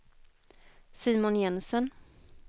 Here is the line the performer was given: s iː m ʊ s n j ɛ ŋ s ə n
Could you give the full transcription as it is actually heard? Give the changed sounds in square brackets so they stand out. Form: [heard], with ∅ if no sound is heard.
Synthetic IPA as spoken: s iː m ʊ [∅] n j ɛ [n] s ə n